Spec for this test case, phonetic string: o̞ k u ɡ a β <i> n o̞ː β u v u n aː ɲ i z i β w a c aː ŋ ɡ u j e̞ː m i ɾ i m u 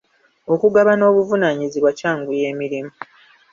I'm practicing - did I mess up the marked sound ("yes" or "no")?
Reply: yes